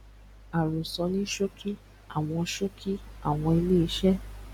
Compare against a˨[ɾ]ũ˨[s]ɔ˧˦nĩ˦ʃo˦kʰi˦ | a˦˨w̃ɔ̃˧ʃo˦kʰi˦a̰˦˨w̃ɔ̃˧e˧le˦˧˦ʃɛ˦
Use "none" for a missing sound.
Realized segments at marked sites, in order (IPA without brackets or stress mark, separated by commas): ɾ, s